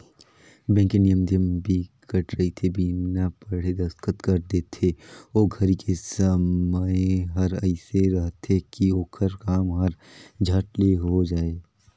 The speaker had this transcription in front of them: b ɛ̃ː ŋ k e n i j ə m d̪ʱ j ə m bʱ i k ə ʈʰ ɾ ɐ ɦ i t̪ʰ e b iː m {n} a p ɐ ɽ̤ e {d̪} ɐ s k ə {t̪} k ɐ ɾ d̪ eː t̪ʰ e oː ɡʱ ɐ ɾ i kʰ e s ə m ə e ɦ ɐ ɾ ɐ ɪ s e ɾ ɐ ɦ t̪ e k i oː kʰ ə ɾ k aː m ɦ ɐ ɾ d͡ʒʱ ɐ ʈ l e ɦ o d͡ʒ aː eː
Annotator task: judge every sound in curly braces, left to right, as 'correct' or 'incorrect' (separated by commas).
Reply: correct, correct, correct